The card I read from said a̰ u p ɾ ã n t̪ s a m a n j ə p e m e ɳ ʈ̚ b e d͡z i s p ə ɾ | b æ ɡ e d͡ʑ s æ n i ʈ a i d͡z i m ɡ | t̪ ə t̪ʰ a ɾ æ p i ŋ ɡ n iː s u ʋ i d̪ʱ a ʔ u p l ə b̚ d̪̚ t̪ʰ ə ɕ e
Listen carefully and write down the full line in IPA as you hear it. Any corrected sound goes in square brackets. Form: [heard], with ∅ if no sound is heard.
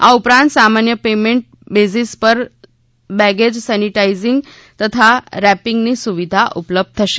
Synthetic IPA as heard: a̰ u p ɾ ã n t̪ s a m a n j ə p e m e ɳ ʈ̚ b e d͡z i s p ə ɾ | b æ ɡ e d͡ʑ s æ n i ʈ a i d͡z i [ŋ] ɡ | t̪ ə t̪ʰ a ɾ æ p i ŋ ɡ n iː s u ʋ i d̪ʱ a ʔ u p l ə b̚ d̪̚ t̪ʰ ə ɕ e

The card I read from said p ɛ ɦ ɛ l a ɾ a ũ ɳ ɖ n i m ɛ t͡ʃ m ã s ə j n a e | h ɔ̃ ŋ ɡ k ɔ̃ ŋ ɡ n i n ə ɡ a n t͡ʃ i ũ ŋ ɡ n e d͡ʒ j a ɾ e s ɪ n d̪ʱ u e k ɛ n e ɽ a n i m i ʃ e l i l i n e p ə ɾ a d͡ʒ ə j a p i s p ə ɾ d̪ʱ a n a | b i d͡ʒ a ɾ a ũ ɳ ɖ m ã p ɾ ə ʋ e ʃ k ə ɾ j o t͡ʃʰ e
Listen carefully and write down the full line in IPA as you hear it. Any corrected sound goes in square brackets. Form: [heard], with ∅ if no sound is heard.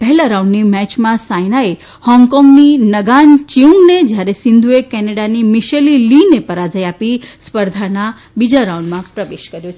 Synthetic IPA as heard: p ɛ ɦ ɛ l a ɾ a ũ ɳ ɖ n i m ɛ t͡ʃ m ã s [a] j n a e | h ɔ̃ ŋ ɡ k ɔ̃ ŋ ɡ n i n ə ɡ a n t͡ʃ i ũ ŋ ɡ n e d͡ʒ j a ɾ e s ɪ n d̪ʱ u e k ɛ n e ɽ a n i m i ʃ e l i l i n e p ə ɾ a d͡ʒ ə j a p i s p ə ɾ d̪ʱ a n a | b i d͡ʒ a ɾ a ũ ɳ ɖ m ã p ɾ ə ʋ e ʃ k ə ɾ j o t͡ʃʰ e

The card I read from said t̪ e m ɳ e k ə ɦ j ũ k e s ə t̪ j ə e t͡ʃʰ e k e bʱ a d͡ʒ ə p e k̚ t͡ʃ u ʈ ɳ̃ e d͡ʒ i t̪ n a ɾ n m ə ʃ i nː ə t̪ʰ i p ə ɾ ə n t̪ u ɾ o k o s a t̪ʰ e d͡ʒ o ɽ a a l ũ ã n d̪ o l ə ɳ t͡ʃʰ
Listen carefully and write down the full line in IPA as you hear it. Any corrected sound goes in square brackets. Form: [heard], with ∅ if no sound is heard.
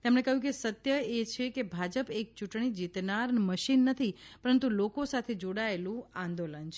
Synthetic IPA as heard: t̪ e m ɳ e k ə ɦ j ũ k e s ə t̪ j ə e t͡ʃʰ e k e bʱ a d͡ʒ ə p e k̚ t͡ʃ u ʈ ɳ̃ [i] d͡ʒ i t̪ n a ɾ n m ə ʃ i nː ə t̪ʰ i p ə ɾ ə n t̪ u [l] o k o s a t̪ʰ e d͡ʒ o ɽ a [e] l ũ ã n d̪ o l ə [n] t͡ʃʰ

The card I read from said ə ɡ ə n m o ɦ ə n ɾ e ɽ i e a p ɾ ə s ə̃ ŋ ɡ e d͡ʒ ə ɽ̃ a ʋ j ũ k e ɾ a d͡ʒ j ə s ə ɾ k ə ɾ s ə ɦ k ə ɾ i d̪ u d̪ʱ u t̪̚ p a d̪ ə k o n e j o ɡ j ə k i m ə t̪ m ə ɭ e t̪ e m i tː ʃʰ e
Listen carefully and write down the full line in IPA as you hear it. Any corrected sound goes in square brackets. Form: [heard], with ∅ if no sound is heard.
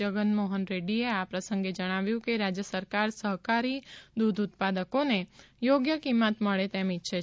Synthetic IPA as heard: ə ɡ ə n m o ɦ ə n ɾ e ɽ i e a p ɾ ə s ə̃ ŋ ɡ e d͡ʒ ə ɽ̃ a ʋ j ũ k e ɾ a d͡ʒ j ə s ə ɾ k [a] ɾ s ə ɦ k [a] ɾ i d̪ u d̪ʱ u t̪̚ p a d̪ ə k o n e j o ɡ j ə k i m ə t̪ m ə ɭ e t̪ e m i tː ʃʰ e

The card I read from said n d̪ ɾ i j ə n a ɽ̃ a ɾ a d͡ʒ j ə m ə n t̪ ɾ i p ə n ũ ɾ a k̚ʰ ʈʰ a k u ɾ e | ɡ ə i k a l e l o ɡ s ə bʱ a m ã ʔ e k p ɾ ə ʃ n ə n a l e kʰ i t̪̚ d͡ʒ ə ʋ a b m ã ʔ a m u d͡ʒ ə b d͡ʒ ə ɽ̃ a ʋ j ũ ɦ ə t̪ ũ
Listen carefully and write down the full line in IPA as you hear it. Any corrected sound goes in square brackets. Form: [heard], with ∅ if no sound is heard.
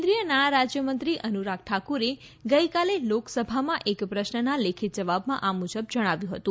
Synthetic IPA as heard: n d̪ ɾ i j ə n a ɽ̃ a ɾ a d͡ʒ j ə m ə n t̪ ɾ i [ʔ] ə n [u] ɾ a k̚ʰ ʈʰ a k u ɾ e | ɡ ə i k a l e l o [k] s ə bʱ a m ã ʔ e k p ɾ ə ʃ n ə n a l e kʰ i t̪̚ d͡ʒ ə ʋ a b m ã ʔ a m u d͡ʒ ə b d͡ʒ ə ɽ̃ a ʋ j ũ ɦ ə t̪ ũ

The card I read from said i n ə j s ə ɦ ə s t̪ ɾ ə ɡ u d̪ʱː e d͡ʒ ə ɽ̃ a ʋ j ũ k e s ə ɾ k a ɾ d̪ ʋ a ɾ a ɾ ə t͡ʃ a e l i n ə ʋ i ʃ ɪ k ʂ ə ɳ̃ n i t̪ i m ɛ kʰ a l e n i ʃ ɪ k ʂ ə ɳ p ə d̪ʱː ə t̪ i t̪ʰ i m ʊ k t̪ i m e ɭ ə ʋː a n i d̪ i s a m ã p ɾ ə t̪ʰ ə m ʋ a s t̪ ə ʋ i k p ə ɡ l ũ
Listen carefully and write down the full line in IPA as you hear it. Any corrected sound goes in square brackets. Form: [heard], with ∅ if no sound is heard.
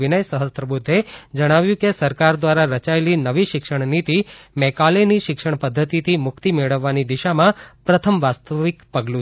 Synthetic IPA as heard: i n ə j s ə ɦ ə s t̪ ɾ ə [b] u d̪ʱː e d͡ʒ ə ɽ̃ a ʋ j ũ k e s ə ɾ k a ɾ d̪ ʋ a ɾ a ɾ ə t͡ʃ a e l i n ə ʋ i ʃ ɪ k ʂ ə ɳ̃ n i t̪ i m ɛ [k] a l e n i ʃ ɪ k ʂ ə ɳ p ə d̪ʱː ə t̪ i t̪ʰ i m ʊ k t̪ i m e ɭ ə ʋː a n i d̪ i [ʃ] a m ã p ɾ ə t̪ʰ ə m ʋ a s t̪ ə ʋ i k p ə ɡ l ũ

